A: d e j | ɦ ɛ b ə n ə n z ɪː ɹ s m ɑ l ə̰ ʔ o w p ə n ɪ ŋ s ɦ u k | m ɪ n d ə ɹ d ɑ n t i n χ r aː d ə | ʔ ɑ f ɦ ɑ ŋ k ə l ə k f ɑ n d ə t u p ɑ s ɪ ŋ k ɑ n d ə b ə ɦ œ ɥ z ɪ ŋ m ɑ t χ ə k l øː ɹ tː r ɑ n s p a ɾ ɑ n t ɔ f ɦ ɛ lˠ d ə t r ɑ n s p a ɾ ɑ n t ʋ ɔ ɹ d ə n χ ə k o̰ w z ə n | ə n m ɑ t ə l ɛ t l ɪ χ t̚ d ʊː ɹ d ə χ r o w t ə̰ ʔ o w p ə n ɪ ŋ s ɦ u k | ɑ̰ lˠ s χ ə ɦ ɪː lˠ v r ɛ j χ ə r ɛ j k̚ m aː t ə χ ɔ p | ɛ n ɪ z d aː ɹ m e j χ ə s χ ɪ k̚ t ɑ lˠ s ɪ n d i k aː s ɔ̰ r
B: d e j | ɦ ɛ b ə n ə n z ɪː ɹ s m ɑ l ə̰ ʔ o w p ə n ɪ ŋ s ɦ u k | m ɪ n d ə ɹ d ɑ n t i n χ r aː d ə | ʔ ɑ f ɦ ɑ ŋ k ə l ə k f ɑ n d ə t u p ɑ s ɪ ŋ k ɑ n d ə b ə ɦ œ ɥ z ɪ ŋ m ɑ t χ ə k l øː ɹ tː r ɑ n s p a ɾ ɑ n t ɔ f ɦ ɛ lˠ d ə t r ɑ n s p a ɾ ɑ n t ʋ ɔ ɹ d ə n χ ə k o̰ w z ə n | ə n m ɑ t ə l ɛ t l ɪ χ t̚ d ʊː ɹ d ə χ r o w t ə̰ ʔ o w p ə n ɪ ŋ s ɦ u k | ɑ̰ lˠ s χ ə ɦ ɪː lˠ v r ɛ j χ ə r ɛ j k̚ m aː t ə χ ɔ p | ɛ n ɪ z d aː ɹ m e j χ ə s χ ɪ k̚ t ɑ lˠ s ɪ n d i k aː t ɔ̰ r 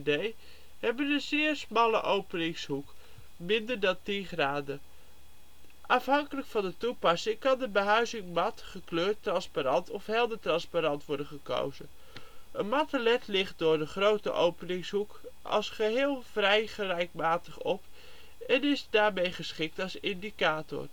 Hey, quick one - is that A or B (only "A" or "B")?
B